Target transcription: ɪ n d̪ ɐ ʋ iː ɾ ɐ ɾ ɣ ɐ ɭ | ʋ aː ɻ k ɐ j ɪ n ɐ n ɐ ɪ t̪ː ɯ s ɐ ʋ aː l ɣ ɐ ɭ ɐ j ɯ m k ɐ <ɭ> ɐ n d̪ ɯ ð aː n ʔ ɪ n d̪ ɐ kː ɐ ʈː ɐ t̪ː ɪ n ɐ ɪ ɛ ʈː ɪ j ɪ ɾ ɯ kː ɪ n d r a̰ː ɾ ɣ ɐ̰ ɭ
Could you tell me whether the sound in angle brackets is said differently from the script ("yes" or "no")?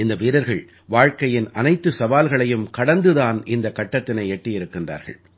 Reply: yes